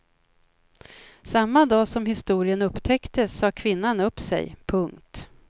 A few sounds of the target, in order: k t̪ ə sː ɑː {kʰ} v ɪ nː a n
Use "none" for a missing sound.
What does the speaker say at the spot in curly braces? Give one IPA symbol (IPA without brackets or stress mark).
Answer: kʰ